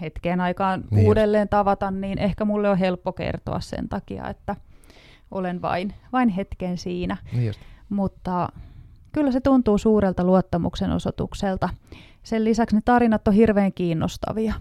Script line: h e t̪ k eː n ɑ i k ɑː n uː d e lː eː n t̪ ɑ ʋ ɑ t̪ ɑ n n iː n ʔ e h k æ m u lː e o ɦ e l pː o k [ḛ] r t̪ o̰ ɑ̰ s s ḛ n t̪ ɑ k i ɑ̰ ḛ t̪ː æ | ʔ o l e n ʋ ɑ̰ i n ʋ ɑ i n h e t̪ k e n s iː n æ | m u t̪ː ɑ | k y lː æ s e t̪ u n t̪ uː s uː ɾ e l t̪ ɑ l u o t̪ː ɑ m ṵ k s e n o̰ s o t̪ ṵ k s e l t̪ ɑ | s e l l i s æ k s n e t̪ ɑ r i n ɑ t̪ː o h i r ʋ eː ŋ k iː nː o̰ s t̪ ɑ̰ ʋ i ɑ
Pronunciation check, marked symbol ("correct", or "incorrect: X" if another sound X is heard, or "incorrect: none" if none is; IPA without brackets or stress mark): correct